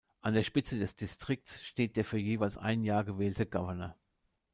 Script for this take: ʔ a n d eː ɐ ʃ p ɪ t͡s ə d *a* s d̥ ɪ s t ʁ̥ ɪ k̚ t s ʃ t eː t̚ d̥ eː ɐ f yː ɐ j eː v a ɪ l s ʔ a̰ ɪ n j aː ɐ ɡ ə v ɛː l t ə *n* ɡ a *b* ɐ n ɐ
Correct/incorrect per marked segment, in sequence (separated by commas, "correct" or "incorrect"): incorrect, incorrect, incorrect